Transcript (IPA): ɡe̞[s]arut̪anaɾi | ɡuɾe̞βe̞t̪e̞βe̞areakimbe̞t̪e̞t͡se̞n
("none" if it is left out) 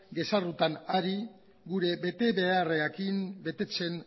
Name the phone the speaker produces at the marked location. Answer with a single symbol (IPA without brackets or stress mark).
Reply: s